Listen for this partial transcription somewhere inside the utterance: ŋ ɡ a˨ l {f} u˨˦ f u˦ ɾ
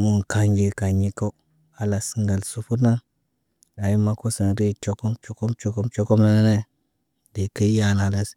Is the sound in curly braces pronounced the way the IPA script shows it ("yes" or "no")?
no